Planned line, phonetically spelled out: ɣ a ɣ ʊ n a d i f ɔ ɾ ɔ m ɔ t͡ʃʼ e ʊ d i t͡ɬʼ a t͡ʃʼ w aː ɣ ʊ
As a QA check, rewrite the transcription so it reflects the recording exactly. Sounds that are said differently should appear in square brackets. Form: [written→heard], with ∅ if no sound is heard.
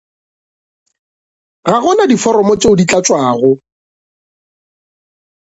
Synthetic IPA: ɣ a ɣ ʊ n a d i f ɔ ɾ ɔ m ɔ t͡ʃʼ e ʊ d i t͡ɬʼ a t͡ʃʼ w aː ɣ ʊ